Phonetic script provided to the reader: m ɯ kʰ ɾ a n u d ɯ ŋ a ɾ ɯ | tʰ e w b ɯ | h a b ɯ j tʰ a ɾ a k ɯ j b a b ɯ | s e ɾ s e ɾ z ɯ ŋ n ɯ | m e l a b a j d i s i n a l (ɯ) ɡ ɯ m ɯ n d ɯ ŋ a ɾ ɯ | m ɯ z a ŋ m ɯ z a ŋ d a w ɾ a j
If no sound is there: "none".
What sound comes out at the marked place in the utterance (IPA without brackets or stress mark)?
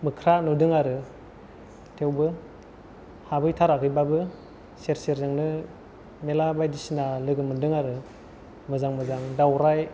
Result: ɯ